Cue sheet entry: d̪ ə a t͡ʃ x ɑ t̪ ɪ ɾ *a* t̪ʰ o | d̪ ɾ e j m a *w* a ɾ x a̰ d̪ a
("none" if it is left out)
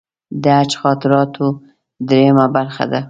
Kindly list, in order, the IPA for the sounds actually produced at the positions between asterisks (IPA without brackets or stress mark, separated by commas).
ɑ, b